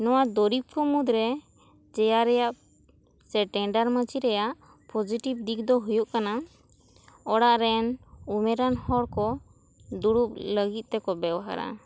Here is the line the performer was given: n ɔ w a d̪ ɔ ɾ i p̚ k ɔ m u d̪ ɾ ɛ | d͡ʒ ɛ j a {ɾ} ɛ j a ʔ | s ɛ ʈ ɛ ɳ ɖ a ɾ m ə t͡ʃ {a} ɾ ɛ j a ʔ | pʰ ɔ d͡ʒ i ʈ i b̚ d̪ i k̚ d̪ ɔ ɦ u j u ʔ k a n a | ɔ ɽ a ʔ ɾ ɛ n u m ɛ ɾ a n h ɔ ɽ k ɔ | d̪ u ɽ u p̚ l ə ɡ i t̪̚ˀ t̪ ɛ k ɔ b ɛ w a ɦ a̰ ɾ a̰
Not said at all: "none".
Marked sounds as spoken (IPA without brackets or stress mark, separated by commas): ɾ, i